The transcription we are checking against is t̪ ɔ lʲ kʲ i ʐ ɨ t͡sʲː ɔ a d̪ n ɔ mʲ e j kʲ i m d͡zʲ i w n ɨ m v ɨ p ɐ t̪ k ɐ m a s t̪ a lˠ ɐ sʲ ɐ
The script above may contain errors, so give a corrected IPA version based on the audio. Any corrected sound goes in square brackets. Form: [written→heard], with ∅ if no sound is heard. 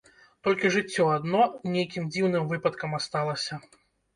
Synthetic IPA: t̪ ɔ lʲ kʲ i ʐ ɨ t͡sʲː ɔ a d̪ n ɔ [mʲ→nʲ] e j kʲ i m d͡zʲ i w n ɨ m v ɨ p ɐ t̪ k ɐ m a s t̪ a lˠ ɐ sʲ ɐ